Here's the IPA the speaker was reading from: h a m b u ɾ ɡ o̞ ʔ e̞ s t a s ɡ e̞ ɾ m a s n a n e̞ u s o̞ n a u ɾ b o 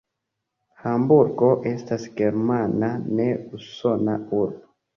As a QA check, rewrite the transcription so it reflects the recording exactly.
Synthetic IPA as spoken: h a m b u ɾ ɡ o̞ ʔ e̞ s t a s ɡ e̞ ɾ m a n a n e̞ u s o̞ n a u ɾ b o